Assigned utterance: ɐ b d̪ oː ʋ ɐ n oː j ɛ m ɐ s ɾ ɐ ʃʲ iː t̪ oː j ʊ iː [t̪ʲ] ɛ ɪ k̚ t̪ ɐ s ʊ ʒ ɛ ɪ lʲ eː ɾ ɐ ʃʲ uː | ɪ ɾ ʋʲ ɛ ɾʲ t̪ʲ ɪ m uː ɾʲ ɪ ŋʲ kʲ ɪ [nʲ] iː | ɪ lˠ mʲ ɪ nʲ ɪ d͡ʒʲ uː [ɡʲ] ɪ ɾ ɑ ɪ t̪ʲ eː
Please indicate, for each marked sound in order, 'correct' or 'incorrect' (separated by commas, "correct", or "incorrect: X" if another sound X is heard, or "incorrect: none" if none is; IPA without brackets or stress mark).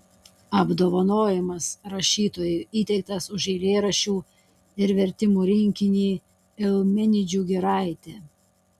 correct, correct, correct